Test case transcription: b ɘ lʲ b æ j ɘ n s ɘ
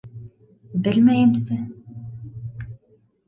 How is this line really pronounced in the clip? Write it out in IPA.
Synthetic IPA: b ɘ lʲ m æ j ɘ m s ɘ